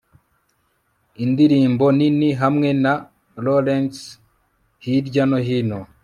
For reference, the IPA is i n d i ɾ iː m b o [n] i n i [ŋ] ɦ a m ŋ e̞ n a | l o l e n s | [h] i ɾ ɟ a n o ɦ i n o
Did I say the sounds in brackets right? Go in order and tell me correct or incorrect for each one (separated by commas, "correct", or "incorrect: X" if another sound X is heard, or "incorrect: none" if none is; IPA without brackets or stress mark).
correct, incorrect: none, correct